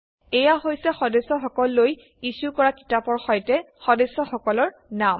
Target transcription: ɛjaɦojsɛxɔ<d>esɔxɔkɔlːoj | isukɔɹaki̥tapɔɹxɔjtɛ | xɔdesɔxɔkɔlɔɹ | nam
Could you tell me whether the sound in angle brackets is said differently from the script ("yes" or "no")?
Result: no